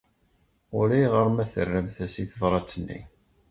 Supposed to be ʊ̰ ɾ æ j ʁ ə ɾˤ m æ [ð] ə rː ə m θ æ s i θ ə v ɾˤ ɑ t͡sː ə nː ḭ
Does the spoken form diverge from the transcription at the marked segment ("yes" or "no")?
yes